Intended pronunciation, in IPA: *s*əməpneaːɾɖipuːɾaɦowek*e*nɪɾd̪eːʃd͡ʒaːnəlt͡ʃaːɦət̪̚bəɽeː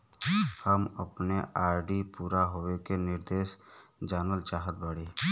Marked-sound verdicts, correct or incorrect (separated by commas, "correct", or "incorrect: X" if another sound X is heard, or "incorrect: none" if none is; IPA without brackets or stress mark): incorrect: h, correct